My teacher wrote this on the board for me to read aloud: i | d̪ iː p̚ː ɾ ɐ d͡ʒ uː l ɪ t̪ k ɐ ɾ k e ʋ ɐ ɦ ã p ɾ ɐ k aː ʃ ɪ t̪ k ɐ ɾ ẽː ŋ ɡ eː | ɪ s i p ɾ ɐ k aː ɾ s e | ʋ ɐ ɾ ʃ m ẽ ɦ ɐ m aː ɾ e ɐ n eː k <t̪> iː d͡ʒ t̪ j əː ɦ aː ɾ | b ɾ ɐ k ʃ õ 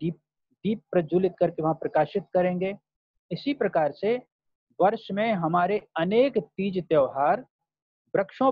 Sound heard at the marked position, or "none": t̪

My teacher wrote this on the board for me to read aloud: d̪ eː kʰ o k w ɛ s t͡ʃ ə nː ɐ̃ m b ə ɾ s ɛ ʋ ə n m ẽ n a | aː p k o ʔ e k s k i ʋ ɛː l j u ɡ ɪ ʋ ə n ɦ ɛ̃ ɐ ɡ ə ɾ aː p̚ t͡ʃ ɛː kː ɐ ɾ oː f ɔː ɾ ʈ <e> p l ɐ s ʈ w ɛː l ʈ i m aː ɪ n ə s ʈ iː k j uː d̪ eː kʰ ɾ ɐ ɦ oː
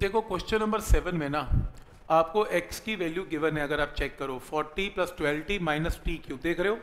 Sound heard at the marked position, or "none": i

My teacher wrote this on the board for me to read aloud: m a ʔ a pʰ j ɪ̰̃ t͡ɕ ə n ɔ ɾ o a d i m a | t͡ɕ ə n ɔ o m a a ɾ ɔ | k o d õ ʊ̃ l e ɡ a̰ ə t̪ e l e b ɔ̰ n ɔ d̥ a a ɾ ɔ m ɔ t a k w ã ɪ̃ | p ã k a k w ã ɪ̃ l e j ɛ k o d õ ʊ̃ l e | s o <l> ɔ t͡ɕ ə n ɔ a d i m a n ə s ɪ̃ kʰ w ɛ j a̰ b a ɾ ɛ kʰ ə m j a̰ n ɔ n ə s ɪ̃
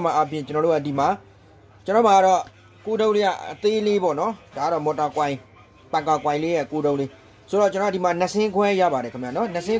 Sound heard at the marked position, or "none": ɾ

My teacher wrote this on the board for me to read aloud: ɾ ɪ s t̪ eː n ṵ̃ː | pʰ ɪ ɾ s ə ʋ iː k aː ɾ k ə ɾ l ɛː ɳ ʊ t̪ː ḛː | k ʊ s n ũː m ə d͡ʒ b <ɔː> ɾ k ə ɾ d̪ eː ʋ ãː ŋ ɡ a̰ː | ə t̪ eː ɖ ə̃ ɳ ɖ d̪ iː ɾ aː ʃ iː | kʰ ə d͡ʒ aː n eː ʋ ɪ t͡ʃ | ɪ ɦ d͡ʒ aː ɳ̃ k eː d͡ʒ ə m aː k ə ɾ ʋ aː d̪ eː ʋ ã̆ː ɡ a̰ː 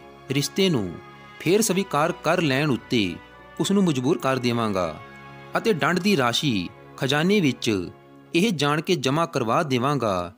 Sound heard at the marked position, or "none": uː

